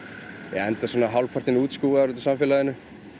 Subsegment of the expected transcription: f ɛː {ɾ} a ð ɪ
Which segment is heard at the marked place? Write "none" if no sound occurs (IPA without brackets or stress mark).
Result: l